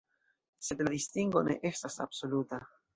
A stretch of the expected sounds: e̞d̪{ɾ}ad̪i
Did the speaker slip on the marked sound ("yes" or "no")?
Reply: yes